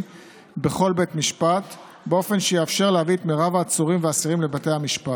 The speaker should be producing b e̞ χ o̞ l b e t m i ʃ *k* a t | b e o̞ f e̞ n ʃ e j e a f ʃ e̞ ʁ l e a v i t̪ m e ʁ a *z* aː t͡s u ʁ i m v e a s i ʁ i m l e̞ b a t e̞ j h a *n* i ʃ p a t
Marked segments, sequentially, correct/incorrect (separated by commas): incorrect, incorrect, incorrect